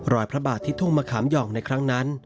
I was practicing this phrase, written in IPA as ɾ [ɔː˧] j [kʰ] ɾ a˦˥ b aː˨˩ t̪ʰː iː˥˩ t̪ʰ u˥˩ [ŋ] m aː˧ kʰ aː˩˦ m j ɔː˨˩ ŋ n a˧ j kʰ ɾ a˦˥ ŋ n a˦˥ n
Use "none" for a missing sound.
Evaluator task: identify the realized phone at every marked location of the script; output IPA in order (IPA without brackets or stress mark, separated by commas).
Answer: ɔː˨˩, pʰ, ŋ